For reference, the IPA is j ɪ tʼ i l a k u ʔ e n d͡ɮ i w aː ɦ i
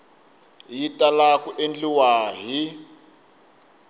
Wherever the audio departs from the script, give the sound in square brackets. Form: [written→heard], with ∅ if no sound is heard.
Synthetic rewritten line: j [ɪ→i] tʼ [i→a] l a k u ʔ e n d͡ɮ i w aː ɦ i